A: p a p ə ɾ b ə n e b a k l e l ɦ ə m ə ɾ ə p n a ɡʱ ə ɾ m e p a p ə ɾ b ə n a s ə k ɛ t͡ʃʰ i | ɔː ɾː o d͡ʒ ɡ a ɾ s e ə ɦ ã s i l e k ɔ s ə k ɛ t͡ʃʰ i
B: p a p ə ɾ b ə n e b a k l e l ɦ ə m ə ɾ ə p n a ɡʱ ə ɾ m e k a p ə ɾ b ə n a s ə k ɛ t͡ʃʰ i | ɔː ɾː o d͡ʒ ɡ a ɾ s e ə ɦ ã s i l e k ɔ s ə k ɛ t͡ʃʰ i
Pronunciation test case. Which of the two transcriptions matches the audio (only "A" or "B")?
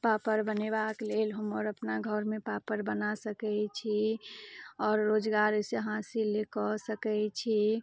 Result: A